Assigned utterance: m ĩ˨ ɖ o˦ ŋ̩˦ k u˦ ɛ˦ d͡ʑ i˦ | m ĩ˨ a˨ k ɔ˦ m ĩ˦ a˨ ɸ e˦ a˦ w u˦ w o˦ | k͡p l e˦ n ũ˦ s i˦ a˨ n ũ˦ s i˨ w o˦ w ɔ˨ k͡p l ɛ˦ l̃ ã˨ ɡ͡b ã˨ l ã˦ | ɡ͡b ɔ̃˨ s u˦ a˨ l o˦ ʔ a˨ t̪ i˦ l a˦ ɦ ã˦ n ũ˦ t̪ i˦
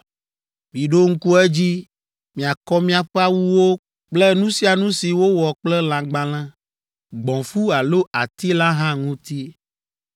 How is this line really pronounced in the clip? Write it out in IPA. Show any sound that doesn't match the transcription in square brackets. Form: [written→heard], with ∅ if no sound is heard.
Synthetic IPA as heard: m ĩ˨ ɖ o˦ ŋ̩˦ k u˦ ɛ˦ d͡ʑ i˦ | m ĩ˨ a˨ k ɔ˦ m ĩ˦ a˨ ɸ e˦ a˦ w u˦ w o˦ | k͡p l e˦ n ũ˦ s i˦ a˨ n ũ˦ s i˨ w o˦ w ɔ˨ k͡p l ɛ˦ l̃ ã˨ ɡ͡b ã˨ l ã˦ | ɡ͡b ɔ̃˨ [s→f] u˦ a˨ l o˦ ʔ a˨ t̪ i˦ l a˦ ɦ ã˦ [n→ŋ] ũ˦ t̪ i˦